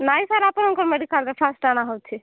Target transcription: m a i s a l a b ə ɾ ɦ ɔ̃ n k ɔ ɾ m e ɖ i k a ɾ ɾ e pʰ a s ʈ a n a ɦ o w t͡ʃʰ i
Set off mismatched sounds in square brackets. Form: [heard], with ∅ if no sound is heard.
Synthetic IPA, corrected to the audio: [n] a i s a [ɾ] a [p] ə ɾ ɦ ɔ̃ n k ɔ ɾ m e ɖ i k a [l] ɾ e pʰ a s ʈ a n a ɦ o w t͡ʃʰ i